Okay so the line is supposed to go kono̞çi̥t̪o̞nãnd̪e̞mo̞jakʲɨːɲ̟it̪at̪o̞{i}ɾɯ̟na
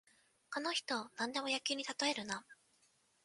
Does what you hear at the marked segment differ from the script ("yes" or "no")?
yes